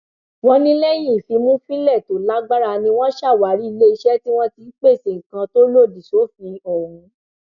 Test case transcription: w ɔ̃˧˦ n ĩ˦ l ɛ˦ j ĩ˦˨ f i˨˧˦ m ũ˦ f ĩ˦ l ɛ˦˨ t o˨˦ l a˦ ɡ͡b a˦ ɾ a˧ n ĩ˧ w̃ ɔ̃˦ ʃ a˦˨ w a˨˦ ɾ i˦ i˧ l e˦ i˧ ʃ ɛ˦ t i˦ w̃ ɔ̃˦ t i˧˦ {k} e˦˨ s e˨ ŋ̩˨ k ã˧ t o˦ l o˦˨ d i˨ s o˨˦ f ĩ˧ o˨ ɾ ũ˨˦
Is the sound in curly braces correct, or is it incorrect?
incorrect